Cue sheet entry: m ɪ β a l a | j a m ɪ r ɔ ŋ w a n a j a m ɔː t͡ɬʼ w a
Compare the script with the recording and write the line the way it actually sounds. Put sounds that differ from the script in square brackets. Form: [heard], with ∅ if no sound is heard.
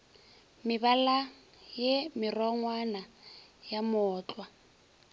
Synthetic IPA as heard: m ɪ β a l a | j [e] m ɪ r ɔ ŋ w a n a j a m ɔː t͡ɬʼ w a